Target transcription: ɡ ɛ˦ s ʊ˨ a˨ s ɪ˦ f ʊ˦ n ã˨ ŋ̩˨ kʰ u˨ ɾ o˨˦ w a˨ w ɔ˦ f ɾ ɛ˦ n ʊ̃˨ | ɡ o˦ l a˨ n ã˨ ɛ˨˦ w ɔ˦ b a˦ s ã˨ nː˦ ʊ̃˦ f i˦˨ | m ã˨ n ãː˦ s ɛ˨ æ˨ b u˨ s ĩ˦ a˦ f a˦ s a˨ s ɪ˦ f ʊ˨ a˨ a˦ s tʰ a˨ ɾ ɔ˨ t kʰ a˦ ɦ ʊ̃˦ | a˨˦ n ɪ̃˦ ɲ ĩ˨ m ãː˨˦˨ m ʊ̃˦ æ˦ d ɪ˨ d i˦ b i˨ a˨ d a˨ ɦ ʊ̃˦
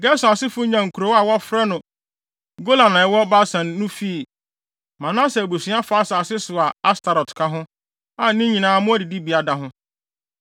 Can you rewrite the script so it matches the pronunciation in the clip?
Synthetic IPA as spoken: ɡ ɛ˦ s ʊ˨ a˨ s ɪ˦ f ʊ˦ ɲ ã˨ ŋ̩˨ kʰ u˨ ɾ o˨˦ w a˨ w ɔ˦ f ɾ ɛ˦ n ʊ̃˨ | ɡ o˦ l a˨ n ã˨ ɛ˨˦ w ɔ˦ b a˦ s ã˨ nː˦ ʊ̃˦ f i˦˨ | m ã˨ n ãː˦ s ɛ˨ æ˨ b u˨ s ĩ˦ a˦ f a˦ s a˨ s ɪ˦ s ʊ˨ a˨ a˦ s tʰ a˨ ɾ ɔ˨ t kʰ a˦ ɦ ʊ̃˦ | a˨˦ n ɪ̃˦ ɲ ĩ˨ n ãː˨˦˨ m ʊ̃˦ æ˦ d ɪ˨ d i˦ b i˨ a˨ d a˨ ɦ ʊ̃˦